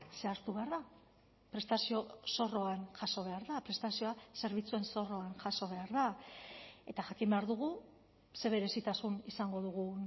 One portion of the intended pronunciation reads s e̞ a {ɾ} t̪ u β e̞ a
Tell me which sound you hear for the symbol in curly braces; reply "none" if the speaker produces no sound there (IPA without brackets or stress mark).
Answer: ɾ